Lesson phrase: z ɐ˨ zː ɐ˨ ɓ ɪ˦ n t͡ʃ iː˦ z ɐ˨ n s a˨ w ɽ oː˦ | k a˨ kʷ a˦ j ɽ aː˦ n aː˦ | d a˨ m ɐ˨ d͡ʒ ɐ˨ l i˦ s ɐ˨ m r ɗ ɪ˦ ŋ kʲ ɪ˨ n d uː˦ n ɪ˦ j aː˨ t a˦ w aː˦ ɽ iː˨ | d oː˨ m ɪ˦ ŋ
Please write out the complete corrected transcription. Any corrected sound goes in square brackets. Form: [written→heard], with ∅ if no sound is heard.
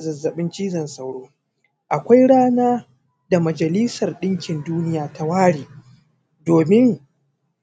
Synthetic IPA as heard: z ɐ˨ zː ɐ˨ ɓ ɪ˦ n t͡ʃ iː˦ z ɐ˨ n s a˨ w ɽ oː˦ | [k→ʔ] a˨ kʷ a˦ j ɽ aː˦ n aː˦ | d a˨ m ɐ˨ d͡ʒ ɐ˨ l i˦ s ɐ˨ [m→∅] r ɗ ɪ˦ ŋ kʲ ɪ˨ n d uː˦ n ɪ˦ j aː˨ t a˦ w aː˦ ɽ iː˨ | d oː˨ m ɪ˦ ŋ